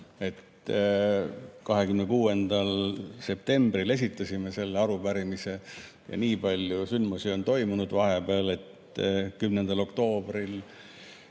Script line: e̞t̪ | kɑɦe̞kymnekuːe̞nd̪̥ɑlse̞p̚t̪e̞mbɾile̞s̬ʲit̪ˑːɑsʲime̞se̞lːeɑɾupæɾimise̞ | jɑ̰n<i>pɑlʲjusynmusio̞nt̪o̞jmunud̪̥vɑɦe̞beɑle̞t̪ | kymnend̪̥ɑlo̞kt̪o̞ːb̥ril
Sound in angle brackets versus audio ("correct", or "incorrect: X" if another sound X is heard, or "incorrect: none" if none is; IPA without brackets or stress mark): incorrect: iː